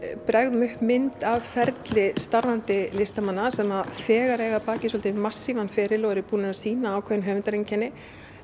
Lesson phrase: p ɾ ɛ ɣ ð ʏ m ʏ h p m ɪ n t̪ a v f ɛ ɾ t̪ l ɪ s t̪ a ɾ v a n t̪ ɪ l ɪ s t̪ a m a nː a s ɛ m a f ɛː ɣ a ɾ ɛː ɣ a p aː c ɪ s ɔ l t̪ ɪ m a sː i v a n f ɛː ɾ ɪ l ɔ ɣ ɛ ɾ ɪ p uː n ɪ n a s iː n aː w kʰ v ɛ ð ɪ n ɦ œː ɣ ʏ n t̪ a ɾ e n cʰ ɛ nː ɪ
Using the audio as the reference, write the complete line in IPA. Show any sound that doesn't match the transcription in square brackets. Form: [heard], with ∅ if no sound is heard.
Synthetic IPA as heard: p ɾ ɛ ɣ ð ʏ m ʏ h p m ɪ n t̪ a v f ɛ ɾ t̪ l ɪ s t̪ a ɾ v a n t̪ ɪ l ɪ s t̪ a m a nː a s ɛ m a f ɛː ɣ a ɾ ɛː ɣ a p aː c ɪ s ɔ l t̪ ɪ m a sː i v a n f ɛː ɾ ɪ l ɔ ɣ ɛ ɾ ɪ p uː n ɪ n a s iː n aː w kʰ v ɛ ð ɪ n ɦ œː [v] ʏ n t̪ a ɾ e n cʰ ɛ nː ɪ